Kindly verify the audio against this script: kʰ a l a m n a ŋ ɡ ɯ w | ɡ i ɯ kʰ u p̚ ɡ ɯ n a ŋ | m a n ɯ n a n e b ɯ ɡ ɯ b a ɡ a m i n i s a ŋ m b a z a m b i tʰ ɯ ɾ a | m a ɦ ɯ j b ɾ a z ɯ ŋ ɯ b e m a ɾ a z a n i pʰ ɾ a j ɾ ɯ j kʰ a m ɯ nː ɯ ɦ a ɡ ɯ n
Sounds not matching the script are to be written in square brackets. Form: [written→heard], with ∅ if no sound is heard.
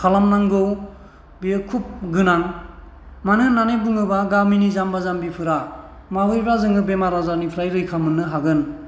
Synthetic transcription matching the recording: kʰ a l a m n a ŋ ɡ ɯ w | [ɡ→b] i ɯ kʰ u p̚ ɡ ɯ n a ŋ | m a n ɯ n a n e b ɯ [ɡ→ŋ] ɯ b a ɡ a m i n i [s→z] a [ŋ→∅] m b a z a m b i [tʰ→pʰ] ɯ ɾ a | m a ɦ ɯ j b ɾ a z ɯ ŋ ɯ b e m a ɾ a z a n i pʰ ɾ a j ɾ ɯ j kʰ a m ɯ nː ɯ ɦ a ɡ ɯ n